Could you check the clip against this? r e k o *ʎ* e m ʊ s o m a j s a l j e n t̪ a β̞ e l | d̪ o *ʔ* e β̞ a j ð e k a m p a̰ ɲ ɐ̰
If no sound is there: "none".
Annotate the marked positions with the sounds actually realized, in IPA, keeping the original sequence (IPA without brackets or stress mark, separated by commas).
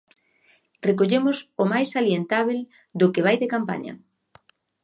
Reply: ʎ, k